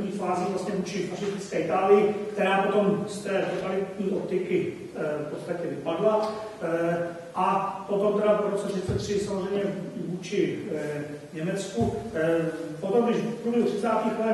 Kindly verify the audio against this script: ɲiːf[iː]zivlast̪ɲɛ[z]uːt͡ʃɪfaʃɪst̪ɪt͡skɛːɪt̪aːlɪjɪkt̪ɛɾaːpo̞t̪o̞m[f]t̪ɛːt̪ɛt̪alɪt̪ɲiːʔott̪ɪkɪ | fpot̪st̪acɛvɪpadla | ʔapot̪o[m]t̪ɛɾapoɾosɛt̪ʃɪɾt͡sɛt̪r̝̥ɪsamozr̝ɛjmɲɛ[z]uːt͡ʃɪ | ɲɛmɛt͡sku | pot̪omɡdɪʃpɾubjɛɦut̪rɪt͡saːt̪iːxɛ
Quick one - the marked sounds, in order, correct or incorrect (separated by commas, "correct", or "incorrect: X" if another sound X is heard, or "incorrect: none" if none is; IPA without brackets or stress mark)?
incorrect: aː, incorrect: v, incorrect: s, correct, incorrect: v